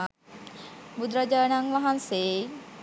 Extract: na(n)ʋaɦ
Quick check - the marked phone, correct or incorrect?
incorrect: ŋ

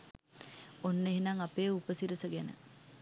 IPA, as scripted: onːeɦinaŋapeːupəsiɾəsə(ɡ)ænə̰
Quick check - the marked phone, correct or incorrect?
correct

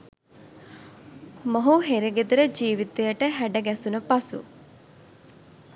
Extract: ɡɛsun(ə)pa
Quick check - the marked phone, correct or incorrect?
correct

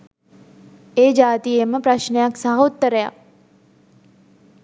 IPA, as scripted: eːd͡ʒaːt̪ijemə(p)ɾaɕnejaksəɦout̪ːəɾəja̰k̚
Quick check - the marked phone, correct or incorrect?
correct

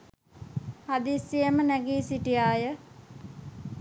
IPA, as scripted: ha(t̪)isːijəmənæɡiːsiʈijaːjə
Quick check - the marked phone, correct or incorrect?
incorrect: d̪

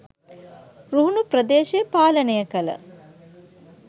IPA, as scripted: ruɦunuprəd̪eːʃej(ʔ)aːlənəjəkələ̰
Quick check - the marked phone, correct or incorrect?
incorrect: p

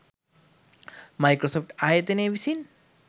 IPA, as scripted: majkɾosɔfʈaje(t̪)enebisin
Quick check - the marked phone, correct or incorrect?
correct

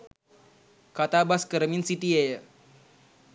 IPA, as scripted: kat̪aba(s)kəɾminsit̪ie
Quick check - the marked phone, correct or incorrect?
correct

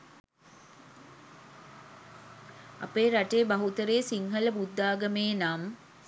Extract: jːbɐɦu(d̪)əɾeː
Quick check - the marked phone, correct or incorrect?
incorrect: t̪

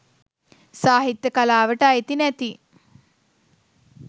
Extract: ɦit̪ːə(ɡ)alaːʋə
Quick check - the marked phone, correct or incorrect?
incorrect: k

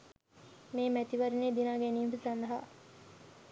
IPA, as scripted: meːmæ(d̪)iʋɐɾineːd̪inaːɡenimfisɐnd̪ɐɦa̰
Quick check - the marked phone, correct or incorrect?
incorrect: t̪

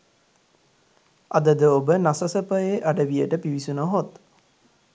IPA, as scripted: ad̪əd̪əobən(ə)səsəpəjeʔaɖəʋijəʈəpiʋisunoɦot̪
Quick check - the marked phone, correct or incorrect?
incorrect: a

